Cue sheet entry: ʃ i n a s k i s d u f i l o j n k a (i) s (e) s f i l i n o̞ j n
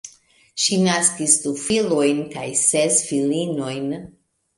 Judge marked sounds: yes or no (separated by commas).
no, yes